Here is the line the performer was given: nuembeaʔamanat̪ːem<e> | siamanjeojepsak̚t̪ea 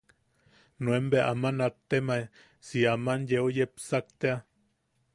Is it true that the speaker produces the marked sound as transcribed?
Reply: no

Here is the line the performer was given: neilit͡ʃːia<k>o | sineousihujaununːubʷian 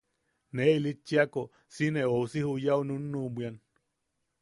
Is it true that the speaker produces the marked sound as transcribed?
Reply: yes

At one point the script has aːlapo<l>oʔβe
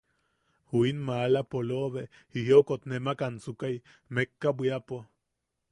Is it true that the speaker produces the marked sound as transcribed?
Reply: yes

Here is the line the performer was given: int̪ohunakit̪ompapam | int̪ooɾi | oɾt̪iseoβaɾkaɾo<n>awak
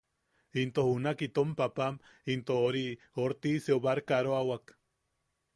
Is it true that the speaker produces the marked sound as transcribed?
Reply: no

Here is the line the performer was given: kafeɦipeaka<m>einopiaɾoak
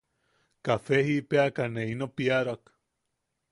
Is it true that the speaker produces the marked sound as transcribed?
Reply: no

